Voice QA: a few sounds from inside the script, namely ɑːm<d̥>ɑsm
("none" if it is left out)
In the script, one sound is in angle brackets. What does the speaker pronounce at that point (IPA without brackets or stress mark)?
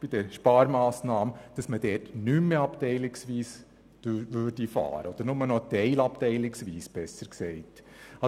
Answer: d̥